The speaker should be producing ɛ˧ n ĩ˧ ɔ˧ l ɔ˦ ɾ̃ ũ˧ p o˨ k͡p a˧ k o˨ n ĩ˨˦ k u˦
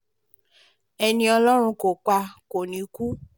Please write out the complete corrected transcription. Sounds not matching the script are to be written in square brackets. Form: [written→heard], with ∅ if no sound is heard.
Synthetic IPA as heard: ɛ˧ n ĩ˧ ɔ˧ l ɔ˦ ɾ̃ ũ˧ [p→k] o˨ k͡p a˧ k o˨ n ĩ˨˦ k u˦